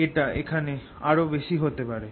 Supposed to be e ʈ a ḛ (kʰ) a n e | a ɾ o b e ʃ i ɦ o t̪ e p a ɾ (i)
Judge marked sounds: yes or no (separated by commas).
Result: yes, no